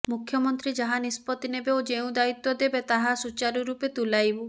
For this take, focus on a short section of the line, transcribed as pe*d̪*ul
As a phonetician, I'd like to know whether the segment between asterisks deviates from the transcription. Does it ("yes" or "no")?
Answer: yes